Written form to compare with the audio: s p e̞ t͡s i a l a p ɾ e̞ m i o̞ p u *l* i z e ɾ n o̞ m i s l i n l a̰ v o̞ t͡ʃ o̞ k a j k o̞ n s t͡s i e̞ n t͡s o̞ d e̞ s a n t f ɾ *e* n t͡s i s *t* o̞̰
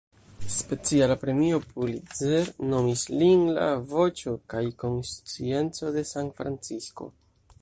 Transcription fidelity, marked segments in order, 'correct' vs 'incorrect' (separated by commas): correct, incorrect, incorrect